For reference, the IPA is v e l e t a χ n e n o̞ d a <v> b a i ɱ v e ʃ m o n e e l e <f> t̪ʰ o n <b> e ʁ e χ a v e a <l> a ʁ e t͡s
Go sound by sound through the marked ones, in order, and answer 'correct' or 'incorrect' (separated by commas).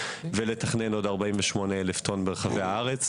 incorrect, correct, correct, incorrect